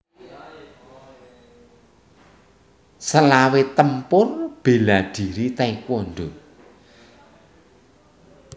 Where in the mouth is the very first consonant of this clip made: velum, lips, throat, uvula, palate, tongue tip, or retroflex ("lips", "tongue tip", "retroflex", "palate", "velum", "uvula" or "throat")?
tongue tip